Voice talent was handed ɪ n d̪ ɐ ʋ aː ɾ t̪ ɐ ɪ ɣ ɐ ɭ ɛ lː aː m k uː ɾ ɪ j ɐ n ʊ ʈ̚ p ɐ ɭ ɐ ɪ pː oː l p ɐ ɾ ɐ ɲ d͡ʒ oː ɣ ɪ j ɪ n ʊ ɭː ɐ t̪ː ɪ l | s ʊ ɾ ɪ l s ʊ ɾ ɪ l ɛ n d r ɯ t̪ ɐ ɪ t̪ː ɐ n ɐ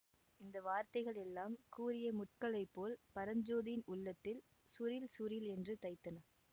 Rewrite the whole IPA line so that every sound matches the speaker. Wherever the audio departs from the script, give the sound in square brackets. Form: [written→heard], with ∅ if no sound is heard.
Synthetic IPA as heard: ɪ n d̪ ɐ ʋ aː ɾ t̪ ɐ ɪ ɣ ɐ ɭ ɛ lː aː m k uː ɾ ɪ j ɐ [n→m] ʊ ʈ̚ [p→k] ɐ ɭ ɐ ɪ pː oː l p ɐ ɾ ɐ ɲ d͡ʒ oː [ɣ→ð] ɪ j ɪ n ʊ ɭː ɐ t̪ː ɪ l | s ʊ ɾ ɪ l s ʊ ɾ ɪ l ɛ n d r ɯ t̪ ɐ ɪ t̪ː ɐ n ɐ